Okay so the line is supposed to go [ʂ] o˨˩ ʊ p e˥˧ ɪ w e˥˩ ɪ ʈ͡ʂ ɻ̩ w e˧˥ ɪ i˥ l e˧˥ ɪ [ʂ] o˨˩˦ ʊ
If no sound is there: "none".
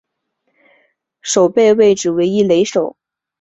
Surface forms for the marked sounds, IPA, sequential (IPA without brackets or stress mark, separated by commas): ʂ, ʂ